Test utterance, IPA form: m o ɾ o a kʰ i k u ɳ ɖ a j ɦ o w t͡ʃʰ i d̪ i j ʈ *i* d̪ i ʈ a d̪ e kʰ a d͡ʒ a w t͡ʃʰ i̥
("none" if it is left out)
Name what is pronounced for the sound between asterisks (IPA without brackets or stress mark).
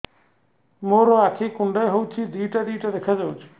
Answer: a